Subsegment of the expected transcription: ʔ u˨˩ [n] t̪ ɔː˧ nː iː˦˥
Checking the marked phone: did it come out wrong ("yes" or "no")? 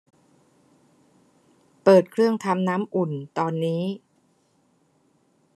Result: no